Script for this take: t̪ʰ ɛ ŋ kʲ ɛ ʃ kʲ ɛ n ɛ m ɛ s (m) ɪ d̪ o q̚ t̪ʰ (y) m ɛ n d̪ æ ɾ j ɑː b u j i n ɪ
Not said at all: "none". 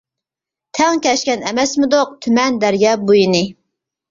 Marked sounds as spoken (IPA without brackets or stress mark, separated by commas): m, y